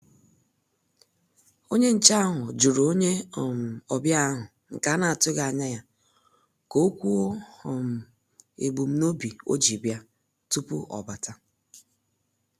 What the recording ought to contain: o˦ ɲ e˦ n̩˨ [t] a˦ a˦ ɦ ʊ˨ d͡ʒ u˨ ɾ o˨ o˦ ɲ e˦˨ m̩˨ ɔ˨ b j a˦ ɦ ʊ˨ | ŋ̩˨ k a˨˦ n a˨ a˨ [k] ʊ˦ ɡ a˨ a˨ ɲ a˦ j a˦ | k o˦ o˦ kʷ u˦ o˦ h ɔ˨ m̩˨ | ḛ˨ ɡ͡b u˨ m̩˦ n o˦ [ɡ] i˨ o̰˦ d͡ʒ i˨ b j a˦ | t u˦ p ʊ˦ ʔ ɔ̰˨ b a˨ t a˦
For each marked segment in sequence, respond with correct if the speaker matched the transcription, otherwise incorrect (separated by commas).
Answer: incorrect, incorrect, incorrect